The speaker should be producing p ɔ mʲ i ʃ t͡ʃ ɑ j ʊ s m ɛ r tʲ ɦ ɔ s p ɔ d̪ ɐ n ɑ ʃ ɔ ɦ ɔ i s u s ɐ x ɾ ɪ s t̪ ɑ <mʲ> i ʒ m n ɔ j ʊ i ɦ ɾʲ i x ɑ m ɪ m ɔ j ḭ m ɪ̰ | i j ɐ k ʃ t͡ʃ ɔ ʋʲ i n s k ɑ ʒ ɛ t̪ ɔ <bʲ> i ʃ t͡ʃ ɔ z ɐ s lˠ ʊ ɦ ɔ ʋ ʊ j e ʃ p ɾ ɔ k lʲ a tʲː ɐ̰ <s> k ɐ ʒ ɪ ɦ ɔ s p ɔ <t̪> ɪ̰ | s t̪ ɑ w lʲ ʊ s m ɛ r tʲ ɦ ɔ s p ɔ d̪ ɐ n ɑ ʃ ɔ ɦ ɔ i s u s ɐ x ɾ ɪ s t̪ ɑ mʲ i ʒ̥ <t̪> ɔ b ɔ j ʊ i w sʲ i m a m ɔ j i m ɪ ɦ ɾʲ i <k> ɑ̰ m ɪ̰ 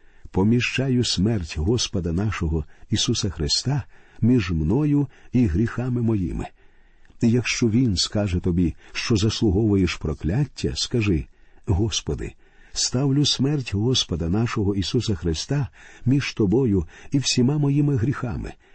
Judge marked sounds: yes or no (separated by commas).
yes, yes, yes, no, yes, no